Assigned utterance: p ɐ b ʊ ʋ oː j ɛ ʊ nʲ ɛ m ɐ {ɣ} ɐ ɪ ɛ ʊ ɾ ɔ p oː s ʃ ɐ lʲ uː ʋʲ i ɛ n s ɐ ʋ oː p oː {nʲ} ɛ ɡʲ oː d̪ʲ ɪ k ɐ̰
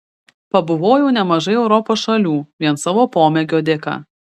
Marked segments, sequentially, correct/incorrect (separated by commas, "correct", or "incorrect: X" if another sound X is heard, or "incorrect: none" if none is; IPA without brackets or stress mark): incorrect: ʒ, incorrect: mʲ